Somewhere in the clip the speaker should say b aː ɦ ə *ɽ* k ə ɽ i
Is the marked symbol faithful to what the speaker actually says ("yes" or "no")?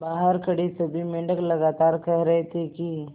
no